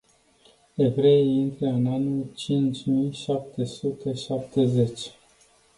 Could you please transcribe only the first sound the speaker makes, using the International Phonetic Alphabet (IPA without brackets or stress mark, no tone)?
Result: e̞